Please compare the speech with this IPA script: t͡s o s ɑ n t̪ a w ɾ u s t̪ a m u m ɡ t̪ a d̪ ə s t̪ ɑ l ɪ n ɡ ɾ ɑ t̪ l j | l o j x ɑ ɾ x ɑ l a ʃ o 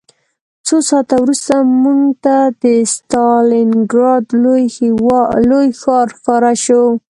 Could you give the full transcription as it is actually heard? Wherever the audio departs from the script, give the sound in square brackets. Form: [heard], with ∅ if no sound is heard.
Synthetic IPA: t͡s o s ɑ [∅] t̪ a w ɾ u s t̪ a m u [ŋ] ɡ t̪ a d̪ ə s t̪ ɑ l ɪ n ɡ ɾ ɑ [d̪] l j | l o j x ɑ ɾ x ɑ [ɾ] a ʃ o